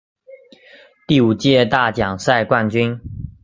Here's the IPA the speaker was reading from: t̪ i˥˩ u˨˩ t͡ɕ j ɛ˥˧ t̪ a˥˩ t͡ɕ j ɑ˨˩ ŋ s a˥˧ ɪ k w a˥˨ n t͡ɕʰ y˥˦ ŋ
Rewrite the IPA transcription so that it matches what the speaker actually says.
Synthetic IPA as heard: t̪ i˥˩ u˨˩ t͡ɕ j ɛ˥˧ t̪ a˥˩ t͡ɕ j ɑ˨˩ ŋ s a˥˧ ɪ k w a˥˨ n t͡ɕ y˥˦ n